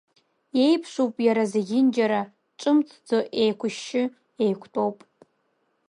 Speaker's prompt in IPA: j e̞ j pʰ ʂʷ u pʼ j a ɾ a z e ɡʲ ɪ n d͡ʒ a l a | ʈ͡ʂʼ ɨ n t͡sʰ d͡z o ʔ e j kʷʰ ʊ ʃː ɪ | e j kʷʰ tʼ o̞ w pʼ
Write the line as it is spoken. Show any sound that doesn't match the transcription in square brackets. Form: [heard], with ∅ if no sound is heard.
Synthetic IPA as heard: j e̞ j pʰ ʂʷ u pʼ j a ɾ a z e ɡʲ ɪ n d͡ʒ a [ɾ] a | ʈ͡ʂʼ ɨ [m] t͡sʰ d͡z o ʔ e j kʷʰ ʊ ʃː ɪ | e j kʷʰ tʼ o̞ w pʼ